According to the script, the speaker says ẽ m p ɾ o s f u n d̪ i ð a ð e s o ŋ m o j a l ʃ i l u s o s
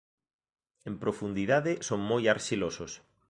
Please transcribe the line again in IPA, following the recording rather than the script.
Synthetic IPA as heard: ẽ m p ɾ o f u n d̪ i ð a ð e s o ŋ m o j a ɾ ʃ i l o s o s